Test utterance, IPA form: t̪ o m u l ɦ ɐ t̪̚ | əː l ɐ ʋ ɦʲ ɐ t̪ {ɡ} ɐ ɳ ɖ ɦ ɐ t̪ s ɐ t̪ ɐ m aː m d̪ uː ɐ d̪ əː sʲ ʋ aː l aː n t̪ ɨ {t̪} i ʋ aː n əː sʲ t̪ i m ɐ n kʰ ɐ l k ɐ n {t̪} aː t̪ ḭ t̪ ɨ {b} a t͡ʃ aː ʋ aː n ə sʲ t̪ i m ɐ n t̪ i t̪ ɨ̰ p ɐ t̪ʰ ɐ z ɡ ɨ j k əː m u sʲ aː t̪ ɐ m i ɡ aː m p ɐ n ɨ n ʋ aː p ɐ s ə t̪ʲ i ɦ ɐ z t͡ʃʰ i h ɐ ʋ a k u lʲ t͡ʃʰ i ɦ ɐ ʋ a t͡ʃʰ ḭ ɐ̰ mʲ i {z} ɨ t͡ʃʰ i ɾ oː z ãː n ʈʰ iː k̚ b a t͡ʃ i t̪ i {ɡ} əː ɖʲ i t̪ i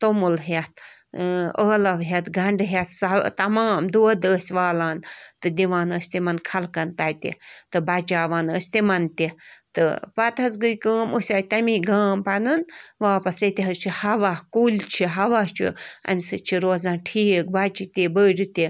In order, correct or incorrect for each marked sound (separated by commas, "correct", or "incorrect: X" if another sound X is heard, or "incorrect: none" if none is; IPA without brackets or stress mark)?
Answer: correct, incorrect: d̪, correct, correct, incorrect: s, incorrect: b